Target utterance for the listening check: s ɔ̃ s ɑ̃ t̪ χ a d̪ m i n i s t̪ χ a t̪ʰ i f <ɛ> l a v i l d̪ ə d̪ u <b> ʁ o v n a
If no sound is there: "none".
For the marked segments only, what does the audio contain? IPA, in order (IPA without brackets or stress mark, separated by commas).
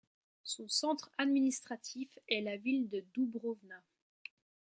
ɛ, b